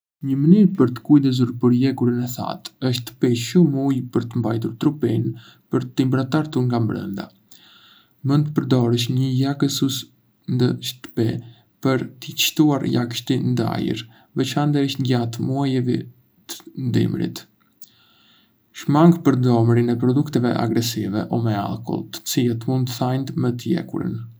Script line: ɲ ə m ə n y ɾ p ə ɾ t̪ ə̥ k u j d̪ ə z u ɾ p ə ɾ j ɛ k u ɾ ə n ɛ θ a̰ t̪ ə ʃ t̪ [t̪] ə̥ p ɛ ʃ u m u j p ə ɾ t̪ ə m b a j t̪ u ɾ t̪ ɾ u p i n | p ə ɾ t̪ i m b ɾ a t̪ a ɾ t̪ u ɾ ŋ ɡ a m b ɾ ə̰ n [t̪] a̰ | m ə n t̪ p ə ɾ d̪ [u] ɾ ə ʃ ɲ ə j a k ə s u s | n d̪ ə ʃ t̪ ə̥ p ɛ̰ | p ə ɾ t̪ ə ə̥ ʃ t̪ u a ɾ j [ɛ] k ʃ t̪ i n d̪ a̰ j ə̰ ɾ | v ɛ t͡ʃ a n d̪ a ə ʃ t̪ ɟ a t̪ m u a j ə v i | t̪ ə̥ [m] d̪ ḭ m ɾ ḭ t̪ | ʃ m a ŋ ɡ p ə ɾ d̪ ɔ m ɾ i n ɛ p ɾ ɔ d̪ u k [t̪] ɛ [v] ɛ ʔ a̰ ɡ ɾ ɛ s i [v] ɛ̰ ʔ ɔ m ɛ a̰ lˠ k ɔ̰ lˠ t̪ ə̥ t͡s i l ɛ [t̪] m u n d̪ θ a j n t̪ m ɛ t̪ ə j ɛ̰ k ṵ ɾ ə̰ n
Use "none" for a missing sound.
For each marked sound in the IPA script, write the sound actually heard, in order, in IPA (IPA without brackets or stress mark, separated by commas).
t̪, d̪, ɔ, a, n, t̪, v, v, t̪